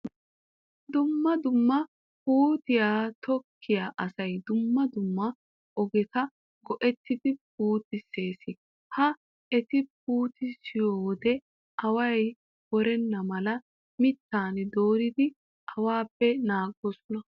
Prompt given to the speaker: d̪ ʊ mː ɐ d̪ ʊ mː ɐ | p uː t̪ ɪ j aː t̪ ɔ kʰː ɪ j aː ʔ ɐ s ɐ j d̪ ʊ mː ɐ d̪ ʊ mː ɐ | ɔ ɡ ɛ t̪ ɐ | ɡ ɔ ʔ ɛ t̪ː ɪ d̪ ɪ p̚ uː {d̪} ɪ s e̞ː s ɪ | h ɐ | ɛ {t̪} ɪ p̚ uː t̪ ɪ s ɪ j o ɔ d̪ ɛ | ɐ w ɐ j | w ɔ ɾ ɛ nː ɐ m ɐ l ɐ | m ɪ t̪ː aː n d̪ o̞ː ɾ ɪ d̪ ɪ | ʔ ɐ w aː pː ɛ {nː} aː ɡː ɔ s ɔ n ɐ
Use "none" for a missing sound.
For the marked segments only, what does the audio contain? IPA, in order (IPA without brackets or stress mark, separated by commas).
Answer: t̪, t̪, n